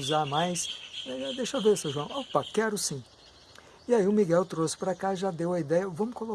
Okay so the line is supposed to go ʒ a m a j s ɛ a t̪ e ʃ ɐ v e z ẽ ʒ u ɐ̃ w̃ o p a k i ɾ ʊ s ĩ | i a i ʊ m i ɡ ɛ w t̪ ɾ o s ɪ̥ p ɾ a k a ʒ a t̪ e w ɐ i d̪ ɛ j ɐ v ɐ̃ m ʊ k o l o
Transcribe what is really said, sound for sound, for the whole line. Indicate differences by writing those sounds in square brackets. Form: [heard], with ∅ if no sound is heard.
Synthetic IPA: [z] a m a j s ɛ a [d̪] e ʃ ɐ v e [s] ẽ ʒ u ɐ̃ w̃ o p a k [ɛ] ɾ ʊ s ĩ | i a i ʊ m i ɡ ɛ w t̪ ɾ o s ɪ̥ p ɾ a k a ʒ a [d̪] e w ɐ i d̪ ɛ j ɐ v ɐ̃ m ʊ k o l o